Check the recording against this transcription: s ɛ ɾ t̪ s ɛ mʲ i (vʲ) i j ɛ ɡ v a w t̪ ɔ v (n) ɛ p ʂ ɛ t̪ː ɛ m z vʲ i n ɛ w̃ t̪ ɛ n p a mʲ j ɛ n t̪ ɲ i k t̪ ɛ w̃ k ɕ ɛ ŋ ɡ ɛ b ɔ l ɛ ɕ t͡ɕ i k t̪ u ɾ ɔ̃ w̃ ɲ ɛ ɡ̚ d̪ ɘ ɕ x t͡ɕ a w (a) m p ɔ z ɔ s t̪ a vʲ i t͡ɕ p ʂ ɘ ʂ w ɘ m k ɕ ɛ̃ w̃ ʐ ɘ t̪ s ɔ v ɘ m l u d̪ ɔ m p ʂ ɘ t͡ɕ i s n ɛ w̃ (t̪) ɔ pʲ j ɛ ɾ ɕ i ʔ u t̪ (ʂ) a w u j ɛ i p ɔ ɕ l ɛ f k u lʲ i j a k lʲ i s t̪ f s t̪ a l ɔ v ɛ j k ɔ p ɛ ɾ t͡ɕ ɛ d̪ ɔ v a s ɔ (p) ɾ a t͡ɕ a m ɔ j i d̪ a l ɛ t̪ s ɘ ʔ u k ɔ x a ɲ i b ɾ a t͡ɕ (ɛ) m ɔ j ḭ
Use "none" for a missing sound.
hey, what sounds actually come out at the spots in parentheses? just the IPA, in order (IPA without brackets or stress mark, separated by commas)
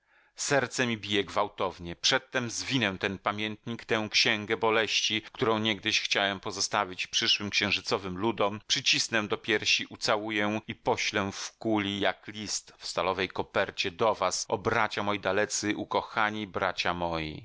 bʲ, ɲ, ɛ, d̪, s, b, a